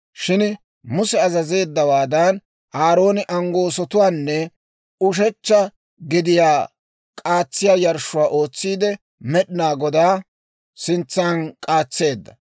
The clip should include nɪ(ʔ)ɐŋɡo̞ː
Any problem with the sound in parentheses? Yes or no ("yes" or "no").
no